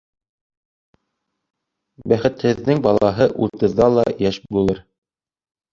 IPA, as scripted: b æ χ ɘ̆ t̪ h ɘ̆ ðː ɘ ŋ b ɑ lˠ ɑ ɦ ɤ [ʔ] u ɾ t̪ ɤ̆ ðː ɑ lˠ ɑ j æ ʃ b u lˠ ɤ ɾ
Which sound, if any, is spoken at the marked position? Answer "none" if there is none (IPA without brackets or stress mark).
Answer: ʔ